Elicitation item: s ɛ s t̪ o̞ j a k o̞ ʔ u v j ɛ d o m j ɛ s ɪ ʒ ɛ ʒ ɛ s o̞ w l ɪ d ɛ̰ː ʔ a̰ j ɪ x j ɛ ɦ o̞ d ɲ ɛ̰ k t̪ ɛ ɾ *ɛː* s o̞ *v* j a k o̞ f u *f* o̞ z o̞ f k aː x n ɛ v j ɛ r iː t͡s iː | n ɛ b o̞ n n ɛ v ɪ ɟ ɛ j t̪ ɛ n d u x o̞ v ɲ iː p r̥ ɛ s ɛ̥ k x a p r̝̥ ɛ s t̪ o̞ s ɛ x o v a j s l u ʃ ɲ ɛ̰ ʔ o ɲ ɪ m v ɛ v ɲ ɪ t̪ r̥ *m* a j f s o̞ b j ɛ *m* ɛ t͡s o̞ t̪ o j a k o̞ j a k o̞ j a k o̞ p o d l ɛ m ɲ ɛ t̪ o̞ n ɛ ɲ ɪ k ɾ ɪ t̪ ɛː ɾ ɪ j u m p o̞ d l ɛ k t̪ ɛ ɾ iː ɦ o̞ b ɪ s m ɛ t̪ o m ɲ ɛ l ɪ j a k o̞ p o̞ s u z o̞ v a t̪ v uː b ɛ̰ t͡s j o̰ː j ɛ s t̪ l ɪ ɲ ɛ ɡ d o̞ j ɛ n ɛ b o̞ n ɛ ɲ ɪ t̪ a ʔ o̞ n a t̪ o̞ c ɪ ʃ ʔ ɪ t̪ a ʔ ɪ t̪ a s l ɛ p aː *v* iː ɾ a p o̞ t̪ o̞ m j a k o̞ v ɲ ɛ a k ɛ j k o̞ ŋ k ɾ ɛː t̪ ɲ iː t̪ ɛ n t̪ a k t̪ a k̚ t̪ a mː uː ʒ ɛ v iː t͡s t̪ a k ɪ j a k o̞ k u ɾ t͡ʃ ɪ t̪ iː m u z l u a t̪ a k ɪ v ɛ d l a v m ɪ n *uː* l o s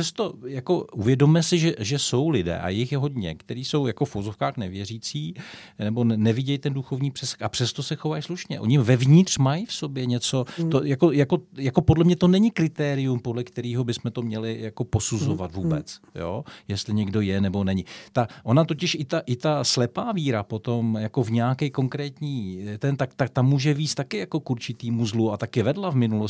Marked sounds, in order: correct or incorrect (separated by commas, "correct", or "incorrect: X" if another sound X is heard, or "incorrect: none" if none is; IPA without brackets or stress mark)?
incorrect: iː, incorrect: w, incorrect: v, correct, incorrect: ɲ, correct, incorrect: u